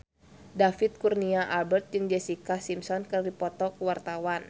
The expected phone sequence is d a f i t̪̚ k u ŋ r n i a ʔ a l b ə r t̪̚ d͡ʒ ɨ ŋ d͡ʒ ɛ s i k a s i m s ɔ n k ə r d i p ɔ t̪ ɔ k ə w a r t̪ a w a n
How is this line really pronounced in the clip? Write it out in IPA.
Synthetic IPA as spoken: d a f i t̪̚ k u r n i a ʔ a l b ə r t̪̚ d͡ʒ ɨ ŋ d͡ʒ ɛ s i k a s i m s ɔ n k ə r d i p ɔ t̪ ɔ k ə w a r t̪ a w a n